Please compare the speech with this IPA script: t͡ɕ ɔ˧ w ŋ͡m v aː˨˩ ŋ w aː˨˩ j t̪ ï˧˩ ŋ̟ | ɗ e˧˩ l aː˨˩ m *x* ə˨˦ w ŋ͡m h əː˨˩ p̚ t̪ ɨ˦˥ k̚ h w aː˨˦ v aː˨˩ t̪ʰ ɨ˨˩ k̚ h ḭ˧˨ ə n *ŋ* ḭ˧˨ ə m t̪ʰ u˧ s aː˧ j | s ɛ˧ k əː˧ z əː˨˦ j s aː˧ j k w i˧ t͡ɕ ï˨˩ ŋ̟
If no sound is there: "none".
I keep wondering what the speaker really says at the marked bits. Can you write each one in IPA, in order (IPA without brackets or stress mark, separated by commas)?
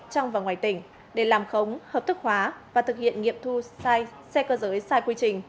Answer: x, ŋ